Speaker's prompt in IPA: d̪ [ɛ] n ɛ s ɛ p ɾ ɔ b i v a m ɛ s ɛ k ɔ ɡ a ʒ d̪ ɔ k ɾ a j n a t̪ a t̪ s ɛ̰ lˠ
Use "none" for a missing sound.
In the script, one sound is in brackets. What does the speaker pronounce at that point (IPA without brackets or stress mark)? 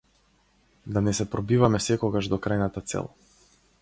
a